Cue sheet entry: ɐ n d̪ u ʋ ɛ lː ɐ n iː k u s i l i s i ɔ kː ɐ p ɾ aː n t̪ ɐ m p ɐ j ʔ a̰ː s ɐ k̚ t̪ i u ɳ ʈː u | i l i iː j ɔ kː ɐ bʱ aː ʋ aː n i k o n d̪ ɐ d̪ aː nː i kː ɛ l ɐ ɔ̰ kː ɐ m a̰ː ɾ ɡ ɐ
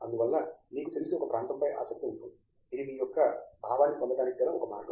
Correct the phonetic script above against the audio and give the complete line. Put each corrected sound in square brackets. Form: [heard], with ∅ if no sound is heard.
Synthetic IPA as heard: ɐ n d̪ u ʋ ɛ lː ɐ n iː k u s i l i s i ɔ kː ɐ p ɾ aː n t̪ ɐ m p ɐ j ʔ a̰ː s ɐ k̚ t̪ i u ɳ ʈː u | i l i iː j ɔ kː ɐ bʱ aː ʋ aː n i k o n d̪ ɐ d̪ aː [n] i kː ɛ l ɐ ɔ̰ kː ɐ m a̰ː ɾ ɡ ɐ